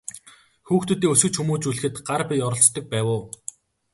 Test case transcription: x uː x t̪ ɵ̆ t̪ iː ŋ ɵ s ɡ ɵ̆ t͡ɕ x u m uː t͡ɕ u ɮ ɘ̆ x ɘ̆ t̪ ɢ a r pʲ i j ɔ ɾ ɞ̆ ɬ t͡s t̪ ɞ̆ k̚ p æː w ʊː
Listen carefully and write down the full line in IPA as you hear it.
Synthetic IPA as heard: x uː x t̪ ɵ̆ t̪ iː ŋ ɵ s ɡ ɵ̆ t͡ɕ x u m uː t͡ɕ u ɮ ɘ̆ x ɘ̆ t̪ ɢ a r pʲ i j ɔ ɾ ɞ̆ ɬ t͡s t̪ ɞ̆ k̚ p æː w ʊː

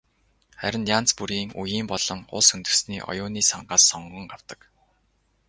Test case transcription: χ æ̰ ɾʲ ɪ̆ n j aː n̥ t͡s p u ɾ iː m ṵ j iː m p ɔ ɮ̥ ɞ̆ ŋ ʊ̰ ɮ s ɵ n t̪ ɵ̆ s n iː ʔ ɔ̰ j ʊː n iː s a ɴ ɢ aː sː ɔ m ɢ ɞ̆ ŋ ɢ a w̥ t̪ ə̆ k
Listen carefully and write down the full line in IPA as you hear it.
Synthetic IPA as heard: χ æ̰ ɾʲ ɪ̆ n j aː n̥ t͡s p u ɾ iː ŋ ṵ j iː m p ɔ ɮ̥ ɞ̆ ŋ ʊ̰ ɮ s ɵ n t̪ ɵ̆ s n iː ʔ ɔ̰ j ʊː n iː s a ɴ ɢ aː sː ɔ ɴ ɢ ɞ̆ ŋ ɢ a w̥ t̪ ə̆ k

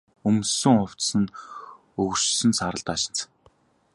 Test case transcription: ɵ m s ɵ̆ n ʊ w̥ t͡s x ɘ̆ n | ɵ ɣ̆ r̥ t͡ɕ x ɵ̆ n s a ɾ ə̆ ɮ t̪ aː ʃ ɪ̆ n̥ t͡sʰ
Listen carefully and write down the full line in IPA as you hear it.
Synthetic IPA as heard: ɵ m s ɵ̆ ŋ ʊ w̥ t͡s s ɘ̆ n | ɵ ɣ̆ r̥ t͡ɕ s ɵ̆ n s a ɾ ə̆ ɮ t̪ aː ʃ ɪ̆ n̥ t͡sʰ

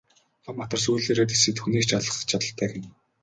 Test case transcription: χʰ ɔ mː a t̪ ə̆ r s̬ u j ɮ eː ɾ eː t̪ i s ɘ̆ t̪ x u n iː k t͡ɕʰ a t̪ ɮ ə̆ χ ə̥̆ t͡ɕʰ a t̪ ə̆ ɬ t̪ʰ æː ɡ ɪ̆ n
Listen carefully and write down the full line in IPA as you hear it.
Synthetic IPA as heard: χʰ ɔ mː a t̪ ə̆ r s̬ u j ɮ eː ɾ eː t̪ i s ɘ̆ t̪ x u n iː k t͡ɕʰ a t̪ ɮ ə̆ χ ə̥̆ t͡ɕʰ a t̪ ə̆ ɬ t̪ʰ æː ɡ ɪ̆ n

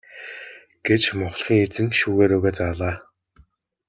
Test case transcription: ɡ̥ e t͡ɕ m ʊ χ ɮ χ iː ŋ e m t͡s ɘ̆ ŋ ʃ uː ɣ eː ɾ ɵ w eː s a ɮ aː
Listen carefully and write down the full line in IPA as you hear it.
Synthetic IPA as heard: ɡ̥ e t͡ɕ m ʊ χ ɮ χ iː ŋ e t͡s ɘ̆ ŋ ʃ uː ɣ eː ɾ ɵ ɣ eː t͡s a ɮ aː

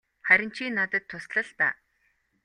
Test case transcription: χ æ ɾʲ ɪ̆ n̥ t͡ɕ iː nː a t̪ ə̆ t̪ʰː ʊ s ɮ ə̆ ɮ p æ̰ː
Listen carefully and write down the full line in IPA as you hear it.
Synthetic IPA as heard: χ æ ɾʲ ɪ̆ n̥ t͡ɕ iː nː a t̪ ə̆ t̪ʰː ʊ s ɮ ə̆ ɮ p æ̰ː

